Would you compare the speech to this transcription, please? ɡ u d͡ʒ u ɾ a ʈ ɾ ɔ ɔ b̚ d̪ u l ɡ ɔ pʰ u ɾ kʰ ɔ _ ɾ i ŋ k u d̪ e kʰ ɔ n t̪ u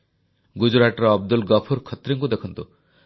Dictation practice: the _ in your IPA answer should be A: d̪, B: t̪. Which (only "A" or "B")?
B